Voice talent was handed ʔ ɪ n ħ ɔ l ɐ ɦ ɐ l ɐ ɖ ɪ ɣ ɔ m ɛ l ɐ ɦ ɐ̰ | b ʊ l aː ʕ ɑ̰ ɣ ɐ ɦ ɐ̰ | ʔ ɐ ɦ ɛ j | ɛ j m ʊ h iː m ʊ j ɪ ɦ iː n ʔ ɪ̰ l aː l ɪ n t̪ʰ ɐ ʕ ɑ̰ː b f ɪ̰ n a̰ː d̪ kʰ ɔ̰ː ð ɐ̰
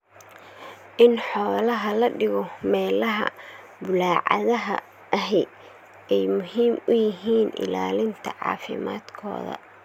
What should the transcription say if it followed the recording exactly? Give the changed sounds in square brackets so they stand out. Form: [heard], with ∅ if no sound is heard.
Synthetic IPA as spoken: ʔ ɪ n ħ [ɔː] l ɐ ɦ ɐ l ɐ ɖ ɪ ɣ ɔ m [ɛː] l ɐ ɦ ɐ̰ | b ʊ l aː ʕ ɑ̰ [ð] ɐ ɦ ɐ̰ | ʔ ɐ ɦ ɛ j | ɛ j m ʊ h iː m ʊ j ɪ ɦ iː n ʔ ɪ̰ l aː l ɪ n t̪ʰ ɐ ʕ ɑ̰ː [∅] f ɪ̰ [m] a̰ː d̪ kʰ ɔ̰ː ð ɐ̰